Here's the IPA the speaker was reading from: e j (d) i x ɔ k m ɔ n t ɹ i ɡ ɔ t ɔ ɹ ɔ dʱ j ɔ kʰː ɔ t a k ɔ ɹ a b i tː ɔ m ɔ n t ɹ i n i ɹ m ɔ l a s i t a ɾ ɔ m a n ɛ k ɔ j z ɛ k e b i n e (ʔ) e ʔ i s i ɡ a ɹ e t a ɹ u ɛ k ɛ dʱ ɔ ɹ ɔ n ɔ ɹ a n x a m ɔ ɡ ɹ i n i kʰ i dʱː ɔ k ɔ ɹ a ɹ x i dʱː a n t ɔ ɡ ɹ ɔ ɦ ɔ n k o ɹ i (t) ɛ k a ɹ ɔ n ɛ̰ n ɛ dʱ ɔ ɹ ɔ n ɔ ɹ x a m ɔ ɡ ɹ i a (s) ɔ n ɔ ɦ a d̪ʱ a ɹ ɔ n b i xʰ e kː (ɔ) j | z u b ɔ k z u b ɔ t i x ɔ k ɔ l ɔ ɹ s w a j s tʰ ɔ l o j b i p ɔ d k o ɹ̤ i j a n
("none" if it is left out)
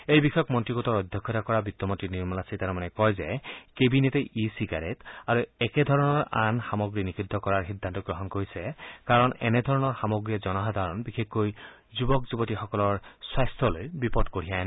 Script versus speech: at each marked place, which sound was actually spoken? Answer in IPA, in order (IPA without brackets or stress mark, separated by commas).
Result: b, t, s, z, o